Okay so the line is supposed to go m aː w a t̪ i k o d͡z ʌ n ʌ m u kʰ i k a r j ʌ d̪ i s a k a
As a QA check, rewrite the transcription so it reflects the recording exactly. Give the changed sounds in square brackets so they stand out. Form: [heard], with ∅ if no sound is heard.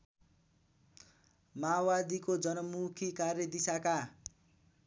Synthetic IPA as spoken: m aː w a [d̪] i k o d͡z ʌ n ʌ m u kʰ i k a r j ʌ d̪ i s a k a